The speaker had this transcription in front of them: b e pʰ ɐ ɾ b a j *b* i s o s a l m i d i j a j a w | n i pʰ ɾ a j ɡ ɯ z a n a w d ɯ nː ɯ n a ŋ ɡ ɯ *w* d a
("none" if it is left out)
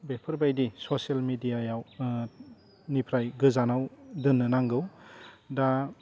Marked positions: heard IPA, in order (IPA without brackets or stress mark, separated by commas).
d, w